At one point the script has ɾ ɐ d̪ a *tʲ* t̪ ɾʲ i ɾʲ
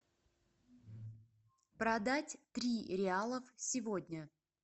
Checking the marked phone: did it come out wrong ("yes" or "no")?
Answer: no